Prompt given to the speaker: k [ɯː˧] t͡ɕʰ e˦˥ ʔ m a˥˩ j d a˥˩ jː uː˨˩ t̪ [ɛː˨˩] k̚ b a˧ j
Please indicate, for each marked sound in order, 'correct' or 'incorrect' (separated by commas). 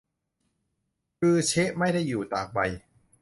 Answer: correct, incorrect